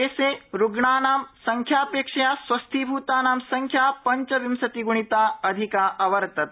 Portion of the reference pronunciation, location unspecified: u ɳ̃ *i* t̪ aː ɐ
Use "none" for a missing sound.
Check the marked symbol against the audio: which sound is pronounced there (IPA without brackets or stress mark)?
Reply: i